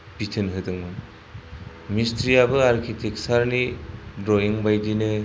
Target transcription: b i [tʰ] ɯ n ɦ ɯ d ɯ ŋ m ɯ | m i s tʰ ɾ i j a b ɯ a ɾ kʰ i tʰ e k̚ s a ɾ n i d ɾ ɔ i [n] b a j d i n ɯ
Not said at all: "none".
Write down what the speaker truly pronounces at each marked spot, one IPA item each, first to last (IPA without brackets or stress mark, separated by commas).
tʰ, ŋ